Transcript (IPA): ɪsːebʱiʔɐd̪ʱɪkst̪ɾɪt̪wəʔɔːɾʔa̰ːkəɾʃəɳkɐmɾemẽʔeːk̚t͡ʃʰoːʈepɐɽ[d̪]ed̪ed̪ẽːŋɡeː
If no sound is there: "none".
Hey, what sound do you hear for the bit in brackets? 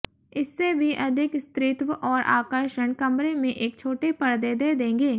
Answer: d̪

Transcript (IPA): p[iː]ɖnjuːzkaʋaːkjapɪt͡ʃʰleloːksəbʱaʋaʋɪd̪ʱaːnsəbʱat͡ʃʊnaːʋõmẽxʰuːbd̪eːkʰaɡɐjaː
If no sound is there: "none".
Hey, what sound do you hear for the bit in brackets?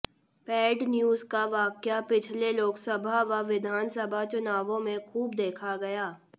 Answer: ɛː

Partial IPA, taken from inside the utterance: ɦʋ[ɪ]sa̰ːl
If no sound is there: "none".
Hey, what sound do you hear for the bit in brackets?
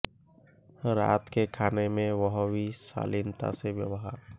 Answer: i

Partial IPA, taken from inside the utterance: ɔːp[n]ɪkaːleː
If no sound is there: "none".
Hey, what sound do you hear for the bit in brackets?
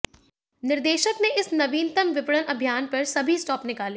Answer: n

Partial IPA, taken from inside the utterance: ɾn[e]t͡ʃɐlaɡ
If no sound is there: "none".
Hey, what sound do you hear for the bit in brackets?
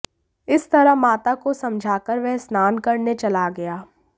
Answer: e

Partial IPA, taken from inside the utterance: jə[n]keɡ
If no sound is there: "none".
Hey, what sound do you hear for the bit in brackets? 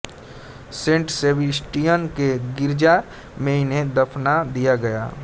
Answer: n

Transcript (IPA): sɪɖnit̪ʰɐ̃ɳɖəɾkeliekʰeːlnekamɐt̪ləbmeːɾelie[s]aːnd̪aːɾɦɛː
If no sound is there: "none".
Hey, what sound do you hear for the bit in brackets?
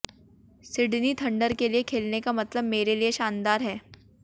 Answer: ʃ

